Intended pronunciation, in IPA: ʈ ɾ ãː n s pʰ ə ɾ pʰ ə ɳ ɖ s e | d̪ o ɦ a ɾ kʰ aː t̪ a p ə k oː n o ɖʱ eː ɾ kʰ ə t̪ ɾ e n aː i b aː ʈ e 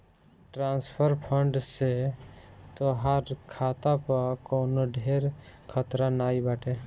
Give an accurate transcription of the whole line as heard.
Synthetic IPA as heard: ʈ ɾ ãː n s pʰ ə ɾ pʰ ə ɳ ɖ s e | t̪ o ɦ a ɾ kʰ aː t̪ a p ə k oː n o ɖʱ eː ɾ kʰ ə t̪ ɾ a n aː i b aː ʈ e